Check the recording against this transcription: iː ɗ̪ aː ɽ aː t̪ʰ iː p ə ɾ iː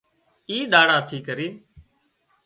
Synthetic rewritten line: iː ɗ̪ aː ɽ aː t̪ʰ iː k ə ɾ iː